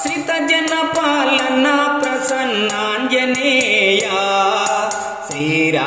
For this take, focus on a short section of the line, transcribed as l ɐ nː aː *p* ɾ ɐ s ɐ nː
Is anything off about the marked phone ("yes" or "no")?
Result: no